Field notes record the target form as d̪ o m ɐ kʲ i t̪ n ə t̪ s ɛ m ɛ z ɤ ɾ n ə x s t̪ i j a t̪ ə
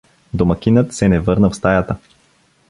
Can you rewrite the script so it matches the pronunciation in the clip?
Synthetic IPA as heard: d̪ o m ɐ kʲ i n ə t̪ s ɛ n ɛ v ɤ ɾ n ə f s t̪ a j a t̪ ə